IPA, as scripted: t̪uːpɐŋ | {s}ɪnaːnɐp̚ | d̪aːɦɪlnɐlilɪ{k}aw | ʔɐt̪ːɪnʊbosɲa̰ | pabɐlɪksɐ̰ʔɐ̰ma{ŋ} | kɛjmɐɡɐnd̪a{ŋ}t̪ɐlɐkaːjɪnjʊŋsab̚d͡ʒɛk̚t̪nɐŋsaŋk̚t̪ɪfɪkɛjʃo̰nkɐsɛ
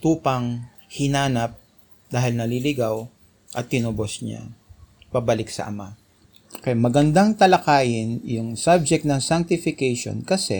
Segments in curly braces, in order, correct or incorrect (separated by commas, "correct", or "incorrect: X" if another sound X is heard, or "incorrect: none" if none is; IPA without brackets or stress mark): incorrect: h, incorrect: ɡ, incorrect: none, correct